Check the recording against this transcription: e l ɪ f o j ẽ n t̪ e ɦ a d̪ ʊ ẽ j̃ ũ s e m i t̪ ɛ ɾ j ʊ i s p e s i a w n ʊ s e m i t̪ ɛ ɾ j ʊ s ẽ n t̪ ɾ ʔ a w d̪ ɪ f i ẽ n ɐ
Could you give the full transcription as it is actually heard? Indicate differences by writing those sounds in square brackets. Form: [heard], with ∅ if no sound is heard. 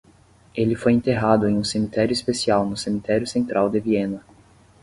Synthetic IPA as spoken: e l ɪ f o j ẽ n t̪ e ɦ a d̪ ʊ ẽ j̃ ũ s e m i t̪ ɛ ɾ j ʊ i s p e s i a w n ʊ s e m i t̪ ɛ ɾ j ʊ s ẽ n t̪ ɾ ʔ a w d̪ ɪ [v] i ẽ n ɐ